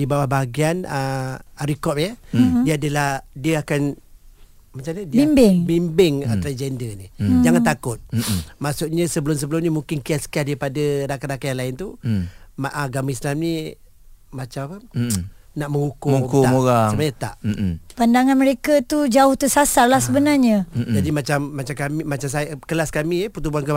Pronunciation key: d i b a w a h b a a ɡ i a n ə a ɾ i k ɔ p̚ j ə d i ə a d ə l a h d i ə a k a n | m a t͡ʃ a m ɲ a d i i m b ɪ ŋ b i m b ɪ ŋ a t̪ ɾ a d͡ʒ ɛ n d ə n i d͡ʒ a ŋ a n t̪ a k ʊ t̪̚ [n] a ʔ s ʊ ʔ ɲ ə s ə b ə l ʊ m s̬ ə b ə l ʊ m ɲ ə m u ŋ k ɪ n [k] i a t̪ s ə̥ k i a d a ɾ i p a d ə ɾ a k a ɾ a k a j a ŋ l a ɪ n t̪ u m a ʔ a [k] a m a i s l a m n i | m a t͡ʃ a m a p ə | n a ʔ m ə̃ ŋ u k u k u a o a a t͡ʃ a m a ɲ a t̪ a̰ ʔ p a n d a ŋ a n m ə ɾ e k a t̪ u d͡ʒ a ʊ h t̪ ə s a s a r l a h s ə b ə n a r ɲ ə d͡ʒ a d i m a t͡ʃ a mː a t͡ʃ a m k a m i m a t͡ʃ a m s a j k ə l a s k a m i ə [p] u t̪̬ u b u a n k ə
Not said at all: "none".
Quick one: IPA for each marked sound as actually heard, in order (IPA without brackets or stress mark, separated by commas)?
m, k, ɡ, p